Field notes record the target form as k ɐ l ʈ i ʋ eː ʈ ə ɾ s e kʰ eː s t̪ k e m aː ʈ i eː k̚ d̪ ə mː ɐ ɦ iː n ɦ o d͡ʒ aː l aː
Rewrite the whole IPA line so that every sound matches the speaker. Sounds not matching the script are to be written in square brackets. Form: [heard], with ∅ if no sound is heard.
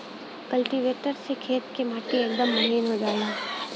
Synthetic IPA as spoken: k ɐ l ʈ i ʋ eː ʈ ə ɾ s e kʰ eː [∅] t̪ k e m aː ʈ i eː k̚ d̪ ə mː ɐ ɦ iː n ɦ o d͡ʒ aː l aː